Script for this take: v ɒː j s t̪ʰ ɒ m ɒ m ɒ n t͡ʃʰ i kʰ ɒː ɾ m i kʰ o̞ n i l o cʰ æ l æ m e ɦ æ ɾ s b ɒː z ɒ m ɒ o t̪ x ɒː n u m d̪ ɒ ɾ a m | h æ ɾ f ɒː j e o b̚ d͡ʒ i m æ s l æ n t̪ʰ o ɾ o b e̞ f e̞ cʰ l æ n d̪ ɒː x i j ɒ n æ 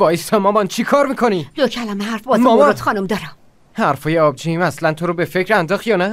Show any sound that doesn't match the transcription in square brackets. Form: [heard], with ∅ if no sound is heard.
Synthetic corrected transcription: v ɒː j s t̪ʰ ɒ m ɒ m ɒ n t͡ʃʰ i kʰ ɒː ɾ m i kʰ o̞ n i l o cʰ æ l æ m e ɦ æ ɾ [f] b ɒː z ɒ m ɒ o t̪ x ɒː n u m d̪ ɒ ɾ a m | h æ ɾ f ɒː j e [ɒ] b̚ d͡ʒ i m æ s l æ n t̪ʰ o ɾ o b e̞ f e̞ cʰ [ɾ] æ n d̪ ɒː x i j ɒ n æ